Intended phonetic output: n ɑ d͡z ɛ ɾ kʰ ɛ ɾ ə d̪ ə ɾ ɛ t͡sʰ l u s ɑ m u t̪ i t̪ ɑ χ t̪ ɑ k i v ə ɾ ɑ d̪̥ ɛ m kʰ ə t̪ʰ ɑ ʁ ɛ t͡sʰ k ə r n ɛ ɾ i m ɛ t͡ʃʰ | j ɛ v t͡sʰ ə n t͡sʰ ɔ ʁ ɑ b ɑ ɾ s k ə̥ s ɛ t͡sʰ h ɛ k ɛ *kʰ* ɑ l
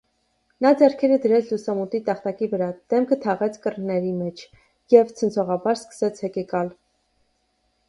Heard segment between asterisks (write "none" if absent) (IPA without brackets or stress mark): k